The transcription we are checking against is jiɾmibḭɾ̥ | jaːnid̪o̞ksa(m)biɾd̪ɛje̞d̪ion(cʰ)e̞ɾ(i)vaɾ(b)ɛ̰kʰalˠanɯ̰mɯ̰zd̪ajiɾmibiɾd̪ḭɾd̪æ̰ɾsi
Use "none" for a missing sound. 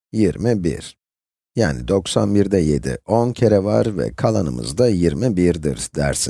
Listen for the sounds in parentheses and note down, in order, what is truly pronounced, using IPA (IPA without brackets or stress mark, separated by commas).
n, cʰ, ɛ, v